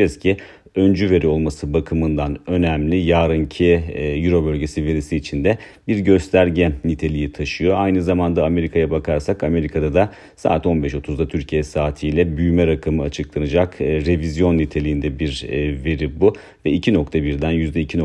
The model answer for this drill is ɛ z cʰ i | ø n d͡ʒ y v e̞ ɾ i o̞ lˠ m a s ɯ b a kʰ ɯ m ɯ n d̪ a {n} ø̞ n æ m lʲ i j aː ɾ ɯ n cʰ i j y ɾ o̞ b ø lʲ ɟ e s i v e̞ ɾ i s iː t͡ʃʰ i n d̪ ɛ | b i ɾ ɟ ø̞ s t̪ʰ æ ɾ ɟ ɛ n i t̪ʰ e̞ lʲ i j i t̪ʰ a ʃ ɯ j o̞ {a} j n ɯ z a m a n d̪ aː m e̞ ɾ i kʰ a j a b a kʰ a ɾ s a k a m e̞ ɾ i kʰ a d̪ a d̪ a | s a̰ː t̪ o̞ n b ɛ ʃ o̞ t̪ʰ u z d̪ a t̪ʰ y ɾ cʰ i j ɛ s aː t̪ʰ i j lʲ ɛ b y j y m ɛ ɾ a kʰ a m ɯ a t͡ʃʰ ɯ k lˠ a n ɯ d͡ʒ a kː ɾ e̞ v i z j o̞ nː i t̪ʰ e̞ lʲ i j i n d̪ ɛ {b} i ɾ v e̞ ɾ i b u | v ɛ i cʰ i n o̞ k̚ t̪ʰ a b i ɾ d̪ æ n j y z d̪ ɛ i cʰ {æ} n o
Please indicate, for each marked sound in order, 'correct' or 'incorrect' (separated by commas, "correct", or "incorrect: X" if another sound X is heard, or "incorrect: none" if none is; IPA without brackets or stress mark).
correct, correct, correct, incorrect: i